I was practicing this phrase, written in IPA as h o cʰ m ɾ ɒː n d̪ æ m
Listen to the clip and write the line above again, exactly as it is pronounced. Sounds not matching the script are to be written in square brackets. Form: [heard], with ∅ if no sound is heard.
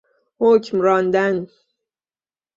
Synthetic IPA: h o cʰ m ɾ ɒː n d̪ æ [n]